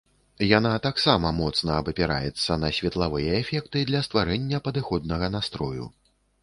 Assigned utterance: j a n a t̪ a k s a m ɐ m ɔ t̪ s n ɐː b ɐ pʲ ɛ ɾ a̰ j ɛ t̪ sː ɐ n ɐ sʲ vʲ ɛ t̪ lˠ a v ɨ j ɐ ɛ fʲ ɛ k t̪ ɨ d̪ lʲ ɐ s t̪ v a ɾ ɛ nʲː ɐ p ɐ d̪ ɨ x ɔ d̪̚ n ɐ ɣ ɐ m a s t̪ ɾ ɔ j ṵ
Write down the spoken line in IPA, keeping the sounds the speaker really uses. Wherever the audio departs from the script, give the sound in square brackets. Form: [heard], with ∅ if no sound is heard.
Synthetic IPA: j a n a t̪ a k s a m ɐ m ɔ t̪ s n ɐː b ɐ pʲ ɛ ɾ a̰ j ɛ t̪ sː ɐ n ɐ sʲ vʲ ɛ t̪ lˠ a v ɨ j ɐ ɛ fʲ ɛ k t̪ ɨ d̪ lʲ ɐ s t̪ v a ɾ ɛ nʲː ɐ p ɐ d̪ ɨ x ɔ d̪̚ n ɐ ɣ ɐ [n] a s t̪ ɾ ɔ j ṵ